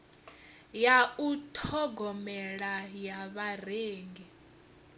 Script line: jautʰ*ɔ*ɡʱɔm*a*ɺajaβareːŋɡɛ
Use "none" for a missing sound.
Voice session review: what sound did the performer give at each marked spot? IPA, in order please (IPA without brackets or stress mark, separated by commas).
ɔ, ɛ